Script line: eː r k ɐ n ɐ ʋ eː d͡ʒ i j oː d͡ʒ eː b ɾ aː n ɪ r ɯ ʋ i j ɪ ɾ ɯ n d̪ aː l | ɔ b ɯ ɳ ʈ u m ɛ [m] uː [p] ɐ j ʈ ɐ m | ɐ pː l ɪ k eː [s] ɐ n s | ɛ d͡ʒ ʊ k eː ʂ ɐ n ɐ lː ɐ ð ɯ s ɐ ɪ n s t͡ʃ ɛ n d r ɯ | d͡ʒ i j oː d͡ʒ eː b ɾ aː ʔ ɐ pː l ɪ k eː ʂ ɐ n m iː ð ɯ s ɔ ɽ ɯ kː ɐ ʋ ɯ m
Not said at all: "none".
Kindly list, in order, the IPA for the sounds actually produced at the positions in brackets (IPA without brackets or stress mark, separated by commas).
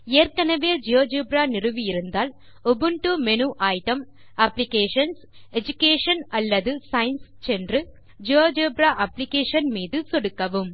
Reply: n, ʔ, ʂ